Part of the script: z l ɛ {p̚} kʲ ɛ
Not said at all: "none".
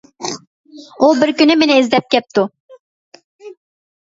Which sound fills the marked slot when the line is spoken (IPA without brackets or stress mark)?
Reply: p̚